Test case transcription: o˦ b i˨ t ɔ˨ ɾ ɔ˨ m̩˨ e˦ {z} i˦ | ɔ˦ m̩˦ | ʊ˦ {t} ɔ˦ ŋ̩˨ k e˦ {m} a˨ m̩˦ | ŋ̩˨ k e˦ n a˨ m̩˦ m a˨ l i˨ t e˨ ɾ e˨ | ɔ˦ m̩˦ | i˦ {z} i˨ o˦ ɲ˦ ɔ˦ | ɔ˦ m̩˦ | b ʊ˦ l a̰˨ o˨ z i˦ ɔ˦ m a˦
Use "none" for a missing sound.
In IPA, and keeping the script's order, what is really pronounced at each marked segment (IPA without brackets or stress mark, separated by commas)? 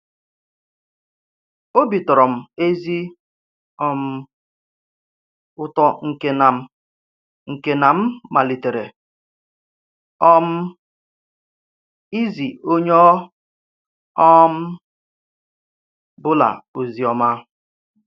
z, t, n, z